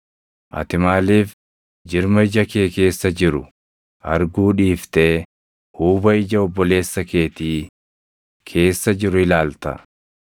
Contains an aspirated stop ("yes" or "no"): yes